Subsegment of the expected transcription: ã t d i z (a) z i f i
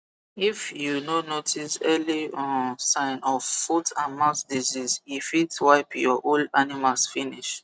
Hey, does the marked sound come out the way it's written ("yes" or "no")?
no